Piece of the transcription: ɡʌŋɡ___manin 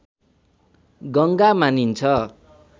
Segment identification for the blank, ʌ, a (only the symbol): a